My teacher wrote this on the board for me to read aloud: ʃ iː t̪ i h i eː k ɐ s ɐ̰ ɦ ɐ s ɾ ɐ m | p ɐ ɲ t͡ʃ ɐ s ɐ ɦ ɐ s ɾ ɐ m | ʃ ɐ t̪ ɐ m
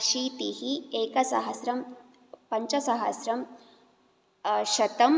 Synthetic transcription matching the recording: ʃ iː t̪ i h i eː k ɐ s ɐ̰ ɦ ɐ s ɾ ɐ m | p ɐ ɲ t͡ʃ ɐ s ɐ ɦ ɐ s ɾ ɐ m | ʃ ɐ t̪ ɐ m